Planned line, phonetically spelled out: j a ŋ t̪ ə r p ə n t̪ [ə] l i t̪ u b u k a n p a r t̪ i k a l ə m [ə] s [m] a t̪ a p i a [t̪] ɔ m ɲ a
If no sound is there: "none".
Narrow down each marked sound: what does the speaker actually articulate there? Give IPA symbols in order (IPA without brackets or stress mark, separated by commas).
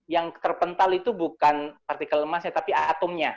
a, a, ɲ, t̪